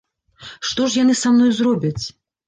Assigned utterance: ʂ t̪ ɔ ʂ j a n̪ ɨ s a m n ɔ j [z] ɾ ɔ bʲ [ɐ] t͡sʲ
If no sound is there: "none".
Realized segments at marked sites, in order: z, ɐ

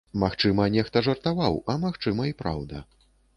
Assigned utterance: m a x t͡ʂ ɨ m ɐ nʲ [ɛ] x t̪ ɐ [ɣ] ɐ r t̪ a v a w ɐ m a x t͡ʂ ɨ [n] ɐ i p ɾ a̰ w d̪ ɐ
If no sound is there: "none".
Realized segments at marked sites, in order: ɛ, ʐ, m

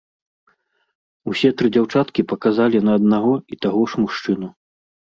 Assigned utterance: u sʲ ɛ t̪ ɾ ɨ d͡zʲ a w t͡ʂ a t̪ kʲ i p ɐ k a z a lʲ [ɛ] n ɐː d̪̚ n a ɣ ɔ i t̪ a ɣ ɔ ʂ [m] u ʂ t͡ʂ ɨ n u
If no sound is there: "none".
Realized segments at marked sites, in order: i, m

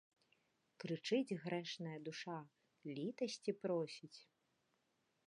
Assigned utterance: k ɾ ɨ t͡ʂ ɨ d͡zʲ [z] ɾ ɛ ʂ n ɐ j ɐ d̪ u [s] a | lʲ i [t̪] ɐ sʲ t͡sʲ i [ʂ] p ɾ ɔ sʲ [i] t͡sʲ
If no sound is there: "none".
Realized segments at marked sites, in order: ɣ, ʂ, t̪, none, i

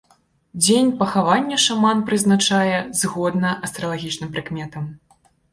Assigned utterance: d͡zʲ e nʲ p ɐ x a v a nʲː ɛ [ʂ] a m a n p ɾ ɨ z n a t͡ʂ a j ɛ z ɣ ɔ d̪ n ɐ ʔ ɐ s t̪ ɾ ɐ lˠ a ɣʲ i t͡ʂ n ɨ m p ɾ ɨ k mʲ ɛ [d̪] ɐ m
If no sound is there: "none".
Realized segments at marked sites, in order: ʂ, t̪

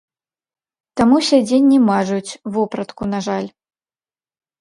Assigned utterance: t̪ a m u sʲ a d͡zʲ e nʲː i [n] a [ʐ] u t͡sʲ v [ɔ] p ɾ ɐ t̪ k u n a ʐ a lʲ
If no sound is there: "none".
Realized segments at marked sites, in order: m, ʐ, ɔ

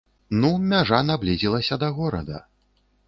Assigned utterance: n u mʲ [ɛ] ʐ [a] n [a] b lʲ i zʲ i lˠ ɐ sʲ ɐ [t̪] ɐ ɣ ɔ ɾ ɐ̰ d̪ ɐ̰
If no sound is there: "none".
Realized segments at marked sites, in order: a, a, a, d̪

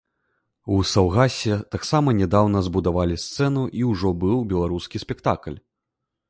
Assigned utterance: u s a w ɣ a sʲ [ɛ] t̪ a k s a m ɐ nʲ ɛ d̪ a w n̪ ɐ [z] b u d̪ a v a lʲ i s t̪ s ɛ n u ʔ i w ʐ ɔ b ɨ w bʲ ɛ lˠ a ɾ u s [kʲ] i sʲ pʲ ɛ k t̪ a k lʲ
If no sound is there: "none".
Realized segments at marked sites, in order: ɛ, z, kʲ

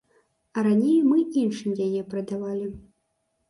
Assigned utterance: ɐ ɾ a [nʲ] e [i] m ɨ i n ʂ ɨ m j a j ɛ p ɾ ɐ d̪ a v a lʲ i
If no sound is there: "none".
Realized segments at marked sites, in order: nʲ, j

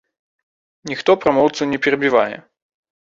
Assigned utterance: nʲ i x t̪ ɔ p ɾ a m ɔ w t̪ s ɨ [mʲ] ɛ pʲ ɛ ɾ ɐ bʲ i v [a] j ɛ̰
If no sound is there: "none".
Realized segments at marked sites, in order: nʲ, a

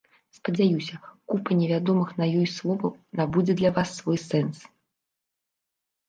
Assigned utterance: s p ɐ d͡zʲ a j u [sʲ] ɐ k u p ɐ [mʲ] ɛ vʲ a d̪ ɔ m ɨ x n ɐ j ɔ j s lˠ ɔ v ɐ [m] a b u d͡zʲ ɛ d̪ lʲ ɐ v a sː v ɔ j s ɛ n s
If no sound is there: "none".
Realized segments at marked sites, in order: sʲ, nʲ, n

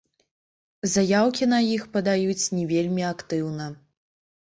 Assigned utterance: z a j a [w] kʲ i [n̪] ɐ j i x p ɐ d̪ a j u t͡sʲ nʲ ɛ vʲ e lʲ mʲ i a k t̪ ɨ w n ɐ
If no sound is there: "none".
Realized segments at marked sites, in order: w, n̪

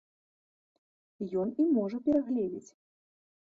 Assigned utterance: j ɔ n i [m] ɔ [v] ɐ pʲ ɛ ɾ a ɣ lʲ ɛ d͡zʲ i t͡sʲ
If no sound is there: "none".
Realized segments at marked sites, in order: m, ʐ

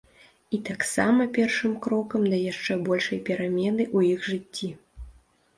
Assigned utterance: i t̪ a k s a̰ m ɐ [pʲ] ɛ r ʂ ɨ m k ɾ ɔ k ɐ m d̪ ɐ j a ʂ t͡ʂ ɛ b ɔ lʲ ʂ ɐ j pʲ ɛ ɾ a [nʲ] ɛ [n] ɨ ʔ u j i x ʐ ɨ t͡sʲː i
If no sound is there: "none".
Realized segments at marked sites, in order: pʲ, mʲ, n

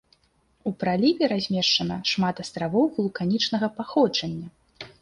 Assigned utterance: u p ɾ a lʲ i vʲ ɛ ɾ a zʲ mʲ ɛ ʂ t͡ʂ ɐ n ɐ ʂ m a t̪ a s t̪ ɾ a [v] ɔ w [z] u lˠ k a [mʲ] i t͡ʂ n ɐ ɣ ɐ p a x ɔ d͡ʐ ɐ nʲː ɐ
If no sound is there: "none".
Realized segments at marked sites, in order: v, ɣ, nʲ

